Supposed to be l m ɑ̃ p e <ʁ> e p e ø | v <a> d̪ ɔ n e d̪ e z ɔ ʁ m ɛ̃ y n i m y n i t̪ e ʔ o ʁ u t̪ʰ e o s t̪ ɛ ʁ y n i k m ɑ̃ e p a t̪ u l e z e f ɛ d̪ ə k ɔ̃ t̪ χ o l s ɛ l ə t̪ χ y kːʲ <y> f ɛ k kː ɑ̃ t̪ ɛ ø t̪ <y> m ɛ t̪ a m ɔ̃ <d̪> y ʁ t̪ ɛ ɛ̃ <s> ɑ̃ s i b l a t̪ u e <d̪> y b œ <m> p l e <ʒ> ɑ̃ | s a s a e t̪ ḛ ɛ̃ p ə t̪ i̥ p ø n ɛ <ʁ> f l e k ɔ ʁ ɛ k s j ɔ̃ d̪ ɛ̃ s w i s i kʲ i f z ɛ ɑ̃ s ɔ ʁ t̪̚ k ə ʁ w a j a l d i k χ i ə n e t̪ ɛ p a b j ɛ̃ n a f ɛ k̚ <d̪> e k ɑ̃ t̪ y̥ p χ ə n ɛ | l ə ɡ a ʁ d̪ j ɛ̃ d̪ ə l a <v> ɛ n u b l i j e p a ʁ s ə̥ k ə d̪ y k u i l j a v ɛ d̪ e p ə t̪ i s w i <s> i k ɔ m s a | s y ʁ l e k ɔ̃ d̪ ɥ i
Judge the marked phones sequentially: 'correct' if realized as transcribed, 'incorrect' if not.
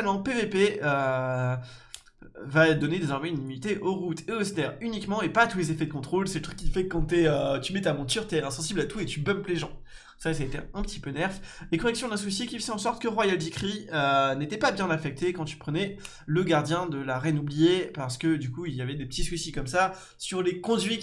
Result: incorrect, correct, incorrect, correct, incorrect, correct, incorrect, correct, correct, correct, incorrect, incorrect, correct

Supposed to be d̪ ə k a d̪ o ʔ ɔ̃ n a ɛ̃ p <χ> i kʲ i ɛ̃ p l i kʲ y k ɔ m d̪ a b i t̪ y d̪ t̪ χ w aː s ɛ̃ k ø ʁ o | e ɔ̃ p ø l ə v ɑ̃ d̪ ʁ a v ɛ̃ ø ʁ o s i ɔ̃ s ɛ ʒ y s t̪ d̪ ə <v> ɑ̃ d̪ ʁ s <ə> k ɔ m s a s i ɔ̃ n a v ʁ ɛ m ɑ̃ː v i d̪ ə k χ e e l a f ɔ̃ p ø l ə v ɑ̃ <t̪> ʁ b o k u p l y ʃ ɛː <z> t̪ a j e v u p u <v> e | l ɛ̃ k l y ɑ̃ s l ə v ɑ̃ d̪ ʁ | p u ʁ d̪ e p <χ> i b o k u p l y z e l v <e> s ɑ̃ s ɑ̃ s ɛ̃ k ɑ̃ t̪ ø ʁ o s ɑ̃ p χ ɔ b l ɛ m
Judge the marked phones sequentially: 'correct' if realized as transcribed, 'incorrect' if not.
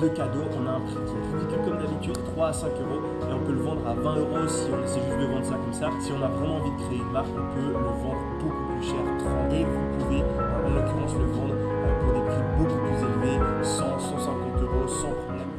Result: correct, correct, incorrect, incorrect, incorrect, correct, correct, correct

